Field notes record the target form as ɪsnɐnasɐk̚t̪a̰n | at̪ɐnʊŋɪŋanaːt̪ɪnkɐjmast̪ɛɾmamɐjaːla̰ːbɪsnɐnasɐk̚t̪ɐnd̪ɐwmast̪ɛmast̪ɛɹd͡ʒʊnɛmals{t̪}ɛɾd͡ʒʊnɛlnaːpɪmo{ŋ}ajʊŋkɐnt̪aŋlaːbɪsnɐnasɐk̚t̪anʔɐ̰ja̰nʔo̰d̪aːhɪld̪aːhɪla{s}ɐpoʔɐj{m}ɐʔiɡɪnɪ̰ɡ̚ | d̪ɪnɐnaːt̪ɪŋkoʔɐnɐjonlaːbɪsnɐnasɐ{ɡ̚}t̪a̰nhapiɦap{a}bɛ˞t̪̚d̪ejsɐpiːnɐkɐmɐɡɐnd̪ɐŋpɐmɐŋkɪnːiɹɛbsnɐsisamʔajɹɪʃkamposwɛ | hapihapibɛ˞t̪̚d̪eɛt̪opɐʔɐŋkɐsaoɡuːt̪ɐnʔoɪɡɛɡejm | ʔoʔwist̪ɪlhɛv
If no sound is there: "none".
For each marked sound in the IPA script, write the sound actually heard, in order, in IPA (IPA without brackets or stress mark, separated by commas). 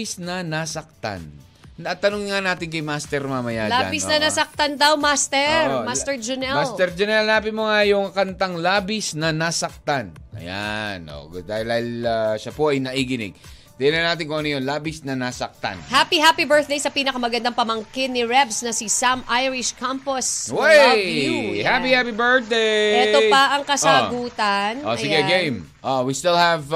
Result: t̪, ŋ, ʃ, n, k̚, i